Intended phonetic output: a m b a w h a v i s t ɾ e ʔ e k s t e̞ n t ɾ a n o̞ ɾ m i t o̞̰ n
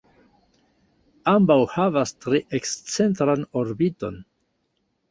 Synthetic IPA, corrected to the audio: a m b a w h a v a s t ɾ e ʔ e k s t͡s e̞ n t ɾ a n o̞ ɾ b i t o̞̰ n